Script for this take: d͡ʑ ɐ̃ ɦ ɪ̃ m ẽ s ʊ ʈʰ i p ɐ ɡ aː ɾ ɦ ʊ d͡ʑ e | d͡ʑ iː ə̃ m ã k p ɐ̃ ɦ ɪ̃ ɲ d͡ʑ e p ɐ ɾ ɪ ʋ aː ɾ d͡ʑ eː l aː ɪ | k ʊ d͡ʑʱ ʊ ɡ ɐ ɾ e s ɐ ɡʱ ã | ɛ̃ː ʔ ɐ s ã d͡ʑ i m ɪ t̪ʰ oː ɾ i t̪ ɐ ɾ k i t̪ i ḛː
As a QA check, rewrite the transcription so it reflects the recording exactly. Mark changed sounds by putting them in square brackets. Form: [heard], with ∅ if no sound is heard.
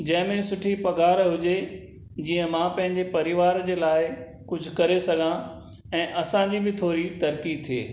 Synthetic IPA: d͡ʑ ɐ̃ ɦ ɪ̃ m ẽ s ʊ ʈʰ i p ɐ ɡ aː ɾ ɦ ʊ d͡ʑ e | d͡ʑ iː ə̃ m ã [∅] p ɐ̃ ɦ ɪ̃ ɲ d͡ʑ e p ɐ ɾ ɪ ʋ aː ɾ d͡ʑ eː l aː ɪ | k ʊ d͡ʑʱ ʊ [k] ɐ ɾ e s ɐ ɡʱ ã | ɛ̃ː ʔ ɐ s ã d͡ʑ i [b] ɪ t̪ʰ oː ɾ i t̪ ɐ ɾ k i [t̪ʰ] i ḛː